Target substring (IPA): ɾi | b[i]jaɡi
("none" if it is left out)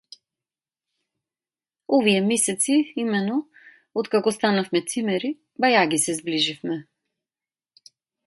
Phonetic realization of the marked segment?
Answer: a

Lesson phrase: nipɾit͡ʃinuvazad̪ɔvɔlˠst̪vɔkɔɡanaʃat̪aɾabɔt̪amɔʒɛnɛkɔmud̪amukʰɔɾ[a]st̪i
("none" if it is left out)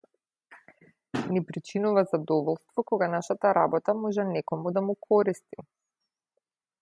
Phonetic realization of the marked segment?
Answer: i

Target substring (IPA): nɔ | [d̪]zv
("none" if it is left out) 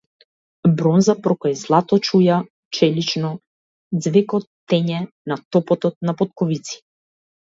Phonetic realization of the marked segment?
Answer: d̪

